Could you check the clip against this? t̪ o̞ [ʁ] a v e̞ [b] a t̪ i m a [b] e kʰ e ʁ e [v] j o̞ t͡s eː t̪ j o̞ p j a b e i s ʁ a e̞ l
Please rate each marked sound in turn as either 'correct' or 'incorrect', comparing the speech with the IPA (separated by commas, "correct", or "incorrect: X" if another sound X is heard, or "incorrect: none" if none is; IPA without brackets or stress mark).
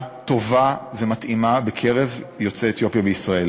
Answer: incorrect: v, incorrect: m, correct, correct